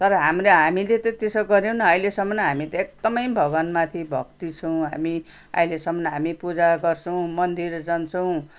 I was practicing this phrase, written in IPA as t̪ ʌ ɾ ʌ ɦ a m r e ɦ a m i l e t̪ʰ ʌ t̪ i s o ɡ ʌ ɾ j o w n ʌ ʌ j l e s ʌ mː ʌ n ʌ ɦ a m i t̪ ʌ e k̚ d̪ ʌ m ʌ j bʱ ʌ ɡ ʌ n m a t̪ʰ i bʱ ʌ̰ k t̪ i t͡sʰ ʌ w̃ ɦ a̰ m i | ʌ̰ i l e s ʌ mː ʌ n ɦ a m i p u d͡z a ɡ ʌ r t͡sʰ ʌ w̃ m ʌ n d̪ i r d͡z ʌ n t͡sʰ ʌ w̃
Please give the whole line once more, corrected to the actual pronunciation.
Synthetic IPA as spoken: t̪ ʌ ɾ ʌ ɦ a m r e ɦ a m i l e t̪ ʌ t̪ e s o ɡ ʌ ɾ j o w n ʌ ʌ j l e s ʌ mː ʌ n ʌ ɦ a m i t̪ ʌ e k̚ d̪ ʌ m ʌ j bʱ ʌ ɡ ʌ n m a t̪ʰ i bʱ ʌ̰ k t̪ i t͡sʰ ʌ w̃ ɦ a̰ m i | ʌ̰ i l e s ʌ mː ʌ n ɦ a m i p u d͡z a ɡ ʌ r t͡sʰ ʌ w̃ m ʌ n d̪ i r d͡z ʌ n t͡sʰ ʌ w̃

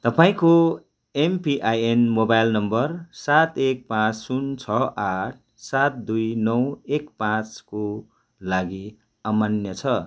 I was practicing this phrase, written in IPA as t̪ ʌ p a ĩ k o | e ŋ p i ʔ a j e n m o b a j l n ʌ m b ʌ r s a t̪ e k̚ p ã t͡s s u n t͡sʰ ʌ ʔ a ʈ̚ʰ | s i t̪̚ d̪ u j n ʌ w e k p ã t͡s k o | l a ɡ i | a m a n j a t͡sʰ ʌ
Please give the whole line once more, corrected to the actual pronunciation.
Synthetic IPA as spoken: t̪ ʌ p a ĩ k o | e m p i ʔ a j e n m o b a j l n ʌ m b ʌ r s a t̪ e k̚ p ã t͡s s u n t͡sʰ ʌ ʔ a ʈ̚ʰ | s a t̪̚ d̪ u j n ʌ w e k p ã t͡s k o | l a ɡ i | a m a n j ʌ t͡sʰ ʌ

